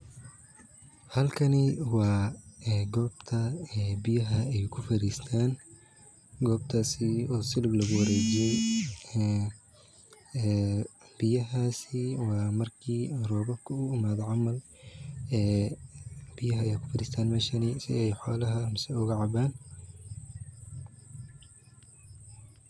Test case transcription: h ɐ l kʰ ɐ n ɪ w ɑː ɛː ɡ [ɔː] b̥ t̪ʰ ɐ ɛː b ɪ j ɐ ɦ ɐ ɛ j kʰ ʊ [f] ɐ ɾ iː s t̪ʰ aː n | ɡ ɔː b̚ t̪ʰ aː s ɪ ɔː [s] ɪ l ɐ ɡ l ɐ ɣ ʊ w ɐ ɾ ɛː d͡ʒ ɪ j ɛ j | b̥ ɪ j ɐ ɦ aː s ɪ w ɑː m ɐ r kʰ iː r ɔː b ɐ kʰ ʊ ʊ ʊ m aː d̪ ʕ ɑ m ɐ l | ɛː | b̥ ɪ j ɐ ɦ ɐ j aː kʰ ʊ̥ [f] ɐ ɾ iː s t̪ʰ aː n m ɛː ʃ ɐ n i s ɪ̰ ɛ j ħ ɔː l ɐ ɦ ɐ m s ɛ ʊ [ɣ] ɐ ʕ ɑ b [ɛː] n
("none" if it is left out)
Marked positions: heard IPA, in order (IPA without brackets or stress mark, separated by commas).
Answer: ɔː, f, s, f, ɣ, aː